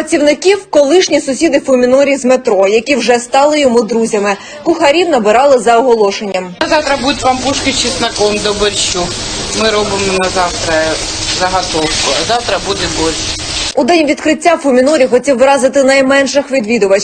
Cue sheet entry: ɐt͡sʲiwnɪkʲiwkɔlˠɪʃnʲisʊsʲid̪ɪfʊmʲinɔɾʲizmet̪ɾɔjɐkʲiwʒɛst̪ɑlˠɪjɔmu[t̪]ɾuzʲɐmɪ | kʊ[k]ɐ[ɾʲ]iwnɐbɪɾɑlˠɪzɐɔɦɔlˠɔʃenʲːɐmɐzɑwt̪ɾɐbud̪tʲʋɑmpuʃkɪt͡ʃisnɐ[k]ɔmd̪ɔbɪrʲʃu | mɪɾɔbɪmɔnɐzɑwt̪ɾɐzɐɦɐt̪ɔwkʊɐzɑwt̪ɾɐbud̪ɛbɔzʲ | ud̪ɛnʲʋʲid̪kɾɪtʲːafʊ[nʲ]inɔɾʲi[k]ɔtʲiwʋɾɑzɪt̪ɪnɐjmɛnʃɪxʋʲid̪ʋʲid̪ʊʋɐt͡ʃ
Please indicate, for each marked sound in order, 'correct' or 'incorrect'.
incorrect, incorrect, correct, correct, incorrect, incorrect

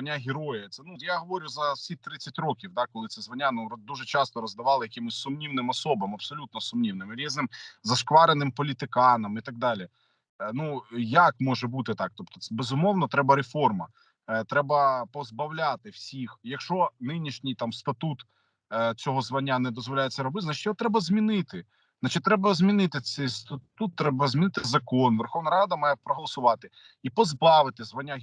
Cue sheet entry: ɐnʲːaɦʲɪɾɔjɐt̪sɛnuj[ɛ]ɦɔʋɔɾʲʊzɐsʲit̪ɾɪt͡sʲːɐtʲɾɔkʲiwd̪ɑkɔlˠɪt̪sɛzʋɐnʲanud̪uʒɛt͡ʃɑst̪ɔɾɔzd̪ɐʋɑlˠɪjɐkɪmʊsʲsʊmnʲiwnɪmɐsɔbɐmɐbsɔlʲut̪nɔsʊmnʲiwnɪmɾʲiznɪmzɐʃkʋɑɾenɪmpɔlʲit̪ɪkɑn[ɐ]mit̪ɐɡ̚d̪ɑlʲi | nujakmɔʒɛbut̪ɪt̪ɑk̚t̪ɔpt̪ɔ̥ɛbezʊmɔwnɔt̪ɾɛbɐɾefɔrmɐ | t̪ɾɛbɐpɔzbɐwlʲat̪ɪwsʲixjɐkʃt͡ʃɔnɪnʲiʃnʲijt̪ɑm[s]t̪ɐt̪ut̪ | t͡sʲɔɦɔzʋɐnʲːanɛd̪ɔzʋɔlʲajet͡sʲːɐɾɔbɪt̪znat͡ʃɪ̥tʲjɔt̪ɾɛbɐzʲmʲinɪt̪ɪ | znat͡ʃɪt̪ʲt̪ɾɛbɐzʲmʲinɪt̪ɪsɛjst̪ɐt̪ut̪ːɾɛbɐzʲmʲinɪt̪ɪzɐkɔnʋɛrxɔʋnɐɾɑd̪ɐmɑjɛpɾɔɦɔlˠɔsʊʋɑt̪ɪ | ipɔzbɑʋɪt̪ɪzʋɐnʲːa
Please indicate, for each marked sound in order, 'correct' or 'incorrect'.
incorrect, correct, correct

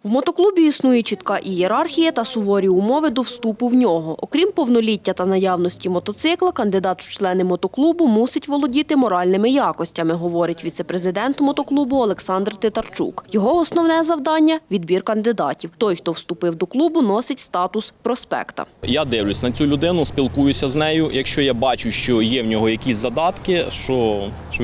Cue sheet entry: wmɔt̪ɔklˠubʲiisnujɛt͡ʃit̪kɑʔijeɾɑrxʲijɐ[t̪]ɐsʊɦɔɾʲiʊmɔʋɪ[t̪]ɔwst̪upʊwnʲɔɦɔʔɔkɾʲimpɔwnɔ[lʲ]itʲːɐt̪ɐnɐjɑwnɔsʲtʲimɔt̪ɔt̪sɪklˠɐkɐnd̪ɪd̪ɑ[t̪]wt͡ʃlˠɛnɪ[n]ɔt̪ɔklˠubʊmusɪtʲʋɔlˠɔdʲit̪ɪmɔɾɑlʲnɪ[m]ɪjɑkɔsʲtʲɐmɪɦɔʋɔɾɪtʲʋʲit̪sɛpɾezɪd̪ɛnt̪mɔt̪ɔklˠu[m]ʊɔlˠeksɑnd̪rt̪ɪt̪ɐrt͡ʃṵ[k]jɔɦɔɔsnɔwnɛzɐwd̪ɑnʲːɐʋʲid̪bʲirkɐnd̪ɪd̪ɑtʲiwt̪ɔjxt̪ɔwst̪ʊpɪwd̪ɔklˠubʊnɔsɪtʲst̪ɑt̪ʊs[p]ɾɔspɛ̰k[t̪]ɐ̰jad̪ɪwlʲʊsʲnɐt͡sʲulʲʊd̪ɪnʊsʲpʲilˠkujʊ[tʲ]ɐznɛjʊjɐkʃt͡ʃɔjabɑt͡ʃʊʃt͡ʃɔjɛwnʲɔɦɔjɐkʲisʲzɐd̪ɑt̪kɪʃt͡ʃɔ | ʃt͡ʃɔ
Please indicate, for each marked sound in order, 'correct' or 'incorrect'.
correct, incorrect, correct, correct, incorrect, correct, incorrect, correct, correct, correct, incorrect

